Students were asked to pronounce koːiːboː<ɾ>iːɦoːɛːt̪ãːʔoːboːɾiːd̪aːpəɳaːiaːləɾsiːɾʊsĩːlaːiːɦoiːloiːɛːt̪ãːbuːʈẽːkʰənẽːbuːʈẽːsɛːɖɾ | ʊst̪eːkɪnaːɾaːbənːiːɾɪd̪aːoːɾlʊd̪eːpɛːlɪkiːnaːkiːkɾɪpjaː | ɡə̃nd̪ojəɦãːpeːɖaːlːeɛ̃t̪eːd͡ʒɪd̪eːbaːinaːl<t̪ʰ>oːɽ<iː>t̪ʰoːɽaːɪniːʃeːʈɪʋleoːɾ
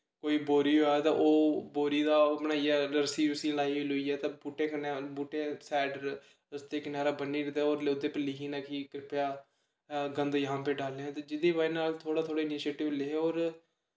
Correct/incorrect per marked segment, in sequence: correct, correct, incorrect: aː

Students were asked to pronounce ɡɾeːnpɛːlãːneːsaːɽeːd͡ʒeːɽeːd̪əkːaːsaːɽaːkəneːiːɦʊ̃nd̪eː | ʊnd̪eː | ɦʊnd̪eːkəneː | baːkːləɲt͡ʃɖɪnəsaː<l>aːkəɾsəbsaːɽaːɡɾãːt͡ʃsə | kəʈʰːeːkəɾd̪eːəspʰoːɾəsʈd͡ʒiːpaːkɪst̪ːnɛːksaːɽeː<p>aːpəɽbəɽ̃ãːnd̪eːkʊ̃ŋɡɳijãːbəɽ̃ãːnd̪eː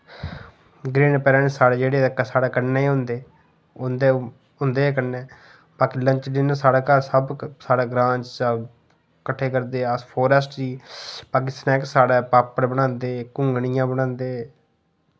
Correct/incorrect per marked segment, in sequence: incorrect: ɽ, correct

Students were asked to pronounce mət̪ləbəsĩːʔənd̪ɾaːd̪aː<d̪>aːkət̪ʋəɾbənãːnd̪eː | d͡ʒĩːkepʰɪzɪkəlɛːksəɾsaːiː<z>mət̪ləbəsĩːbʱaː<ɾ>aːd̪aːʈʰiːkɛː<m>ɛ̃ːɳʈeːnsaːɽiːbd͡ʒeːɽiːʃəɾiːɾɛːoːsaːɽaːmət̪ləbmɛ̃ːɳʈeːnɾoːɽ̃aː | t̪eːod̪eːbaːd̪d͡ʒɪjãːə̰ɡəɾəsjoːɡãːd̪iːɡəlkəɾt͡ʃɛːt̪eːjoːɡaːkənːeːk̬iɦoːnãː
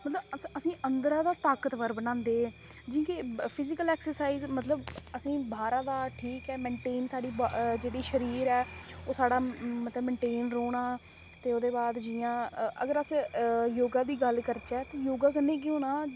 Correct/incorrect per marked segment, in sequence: incorrect: t̪, correct, correct, correct

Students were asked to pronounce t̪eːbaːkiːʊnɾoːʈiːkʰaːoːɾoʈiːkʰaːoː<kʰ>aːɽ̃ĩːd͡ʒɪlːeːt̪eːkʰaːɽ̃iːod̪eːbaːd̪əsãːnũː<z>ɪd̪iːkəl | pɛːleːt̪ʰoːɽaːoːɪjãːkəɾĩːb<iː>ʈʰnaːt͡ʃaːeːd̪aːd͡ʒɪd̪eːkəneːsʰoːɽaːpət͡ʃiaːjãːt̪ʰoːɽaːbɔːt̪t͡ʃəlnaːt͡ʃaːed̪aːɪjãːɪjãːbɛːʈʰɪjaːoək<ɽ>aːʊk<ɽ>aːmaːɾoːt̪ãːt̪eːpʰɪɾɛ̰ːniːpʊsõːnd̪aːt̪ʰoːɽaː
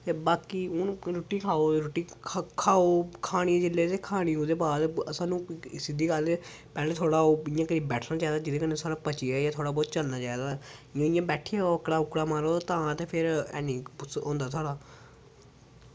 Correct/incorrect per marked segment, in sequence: correct, incorrect: s, incorrect: ɛː, correct, correct

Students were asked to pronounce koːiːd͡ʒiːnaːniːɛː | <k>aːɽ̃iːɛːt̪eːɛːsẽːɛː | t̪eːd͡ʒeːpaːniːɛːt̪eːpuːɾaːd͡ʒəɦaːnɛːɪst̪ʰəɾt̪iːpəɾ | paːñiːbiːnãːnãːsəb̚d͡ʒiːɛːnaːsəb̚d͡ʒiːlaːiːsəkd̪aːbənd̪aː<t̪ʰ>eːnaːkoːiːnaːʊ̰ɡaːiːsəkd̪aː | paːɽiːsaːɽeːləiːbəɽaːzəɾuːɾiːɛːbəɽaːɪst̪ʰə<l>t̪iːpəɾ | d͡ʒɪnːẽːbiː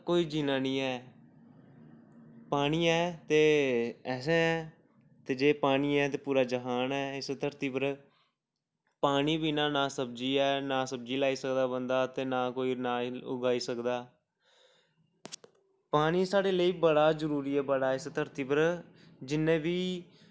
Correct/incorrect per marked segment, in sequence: incorrect: p, incorrect: t̪, incorrect: ɾ

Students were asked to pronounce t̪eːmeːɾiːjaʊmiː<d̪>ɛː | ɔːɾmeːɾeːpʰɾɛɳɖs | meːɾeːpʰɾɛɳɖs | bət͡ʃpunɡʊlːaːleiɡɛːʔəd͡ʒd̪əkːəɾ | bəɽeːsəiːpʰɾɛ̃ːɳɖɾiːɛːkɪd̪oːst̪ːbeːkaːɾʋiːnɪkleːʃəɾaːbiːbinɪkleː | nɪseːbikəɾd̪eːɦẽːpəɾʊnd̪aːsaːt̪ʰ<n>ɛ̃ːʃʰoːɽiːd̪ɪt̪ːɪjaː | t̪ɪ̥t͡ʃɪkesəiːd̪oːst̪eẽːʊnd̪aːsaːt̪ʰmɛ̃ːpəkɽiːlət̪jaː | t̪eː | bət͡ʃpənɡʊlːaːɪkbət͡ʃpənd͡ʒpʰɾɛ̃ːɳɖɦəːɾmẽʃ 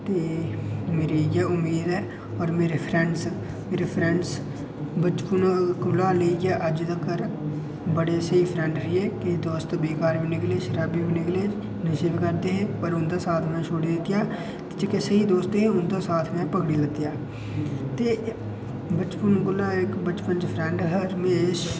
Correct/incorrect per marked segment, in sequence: correct, incorrect: m

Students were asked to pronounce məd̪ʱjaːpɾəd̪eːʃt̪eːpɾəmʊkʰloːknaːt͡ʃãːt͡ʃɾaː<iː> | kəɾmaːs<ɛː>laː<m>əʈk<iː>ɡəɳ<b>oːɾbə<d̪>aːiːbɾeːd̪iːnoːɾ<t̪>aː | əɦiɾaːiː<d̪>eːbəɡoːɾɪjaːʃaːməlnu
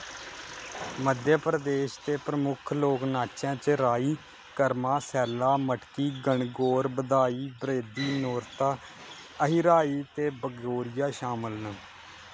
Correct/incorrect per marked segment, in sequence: correct, correct, correct, correct, incorrect: ɡ, correct, correct, incorrect: t̪

